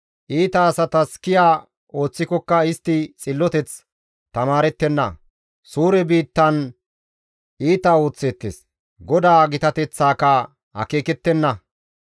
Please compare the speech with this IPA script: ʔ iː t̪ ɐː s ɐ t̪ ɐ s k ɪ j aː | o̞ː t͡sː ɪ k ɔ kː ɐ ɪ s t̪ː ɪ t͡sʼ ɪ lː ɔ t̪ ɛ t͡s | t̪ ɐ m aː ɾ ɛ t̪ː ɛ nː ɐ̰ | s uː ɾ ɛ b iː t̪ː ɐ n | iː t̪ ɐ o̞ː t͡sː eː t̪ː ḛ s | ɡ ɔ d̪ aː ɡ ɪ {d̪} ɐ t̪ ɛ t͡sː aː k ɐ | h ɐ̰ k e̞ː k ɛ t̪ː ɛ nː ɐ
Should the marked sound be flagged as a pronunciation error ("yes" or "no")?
yes